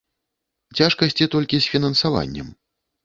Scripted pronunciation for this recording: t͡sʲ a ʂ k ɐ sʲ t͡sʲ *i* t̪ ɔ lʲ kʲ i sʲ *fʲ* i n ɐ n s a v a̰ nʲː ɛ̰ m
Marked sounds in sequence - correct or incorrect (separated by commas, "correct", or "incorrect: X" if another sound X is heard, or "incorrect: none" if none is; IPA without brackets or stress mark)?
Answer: correct, correct